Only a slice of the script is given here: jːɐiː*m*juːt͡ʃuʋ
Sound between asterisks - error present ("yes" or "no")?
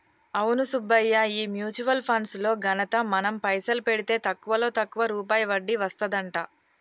no